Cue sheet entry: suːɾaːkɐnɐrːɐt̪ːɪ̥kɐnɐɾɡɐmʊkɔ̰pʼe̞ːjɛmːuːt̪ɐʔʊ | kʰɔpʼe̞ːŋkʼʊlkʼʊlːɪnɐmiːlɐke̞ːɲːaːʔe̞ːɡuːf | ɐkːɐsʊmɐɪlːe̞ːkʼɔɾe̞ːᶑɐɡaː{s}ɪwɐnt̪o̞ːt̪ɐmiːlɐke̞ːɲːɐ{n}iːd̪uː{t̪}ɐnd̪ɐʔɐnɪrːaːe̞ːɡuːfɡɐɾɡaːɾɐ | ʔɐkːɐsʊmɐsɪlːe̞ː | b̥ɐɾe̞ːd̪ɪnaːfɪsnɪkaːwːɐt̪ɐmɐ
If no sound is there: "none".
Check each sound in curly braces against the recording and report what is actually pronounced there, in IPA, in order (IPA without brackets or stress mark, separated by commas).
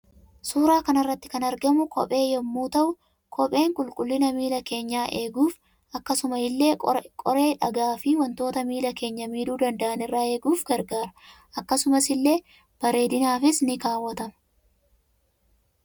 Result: f, m, d̪